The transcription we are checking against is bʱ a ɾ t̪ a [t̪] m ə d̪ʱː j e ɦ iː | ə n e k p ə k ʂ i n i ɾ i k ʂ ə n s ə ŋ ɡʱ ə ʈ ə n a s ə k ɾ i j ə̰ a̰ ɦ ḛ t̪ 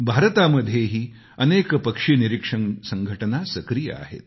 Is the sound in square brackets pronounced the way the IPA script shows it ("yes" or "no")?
no